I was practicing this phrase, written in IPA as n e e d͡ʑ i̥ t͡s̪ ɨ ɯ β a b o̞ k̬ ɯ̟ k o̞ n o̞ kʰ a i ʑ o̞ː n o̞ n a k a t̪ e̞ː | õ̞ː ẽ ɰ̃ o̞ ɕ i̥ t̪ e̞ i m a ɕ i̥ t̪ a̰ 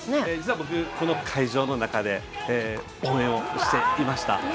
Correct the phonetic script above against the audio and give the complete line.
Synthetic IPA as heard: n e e d͡ʑ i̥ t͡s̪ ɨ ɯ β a b o̞ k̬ ɯ̟ k o̞ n o̞ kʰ a i ʑ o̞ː n o̞ n a k a d̪ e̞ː | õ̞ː ẽ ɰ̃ o̞ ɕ i̥ t̪ e̞ i m a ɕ i̥ t̪ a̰